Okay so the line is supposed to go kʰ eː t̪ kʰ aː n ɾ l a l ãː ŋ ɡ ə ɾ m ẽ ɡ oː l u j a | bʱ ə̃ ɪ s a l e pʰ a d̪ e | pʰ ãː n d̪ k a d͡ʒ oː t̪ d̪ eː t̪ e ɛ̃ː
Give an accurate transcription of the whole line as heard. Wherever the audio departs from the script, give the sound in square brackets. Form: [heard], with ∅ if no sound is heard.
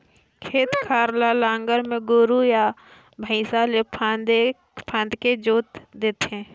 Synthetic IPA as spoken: kʰ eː t̪ kʰ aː [∅] ɾ l a l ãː ŋ ɡ ə ɾ m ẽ ɡ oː [ɾ] u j a | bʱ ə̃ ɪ s a l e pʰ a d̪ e | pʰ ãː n d̪ k [e] d͡ʒ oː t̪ d̪ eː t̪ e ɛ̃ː

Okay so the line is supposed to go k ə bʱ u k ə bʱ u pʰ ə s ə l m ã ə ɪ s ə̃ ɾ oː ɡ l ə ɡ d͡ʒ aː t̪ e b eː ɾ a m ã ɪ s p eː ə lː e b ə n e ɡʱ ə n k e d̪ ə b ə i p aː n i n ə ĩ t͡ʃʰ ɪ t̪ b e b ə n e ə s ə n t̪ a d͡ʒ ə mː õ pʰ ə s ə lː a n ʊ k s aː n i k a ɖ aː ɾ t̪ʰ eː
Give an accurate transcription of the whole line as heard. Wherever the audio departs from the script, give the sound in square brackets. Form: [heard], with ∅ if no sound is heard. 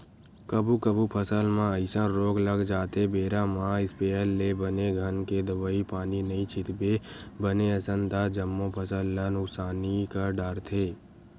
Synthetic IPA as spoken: k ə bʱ u k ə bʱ u pʰ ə s ə l m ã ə ɪ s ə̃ ɾ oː ɡ l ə ɡ d͡ʒ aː t̪ e b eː ɾ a m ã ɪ s p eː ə lː e b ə n e ɡʱ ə n k e d̪ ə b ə i p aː n i n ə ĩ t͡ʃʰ ɪ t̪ b e b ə n e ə s ə n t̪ a d͡ʒ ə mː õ pʰ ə s ə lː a n ʊ k s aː n i k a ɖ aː ɾ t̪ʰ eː

